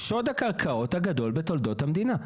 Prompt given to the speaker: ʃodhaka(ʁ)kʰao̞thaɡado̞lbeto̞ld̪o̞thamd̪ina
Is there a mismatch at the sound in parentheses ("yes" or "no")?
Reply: no